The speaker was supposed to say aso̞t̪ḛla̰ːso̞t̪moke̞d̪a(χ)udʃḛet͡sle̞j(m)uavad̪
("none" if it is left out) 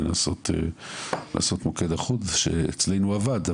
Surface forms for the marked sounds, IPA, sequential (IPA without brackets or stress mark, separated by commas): χ, n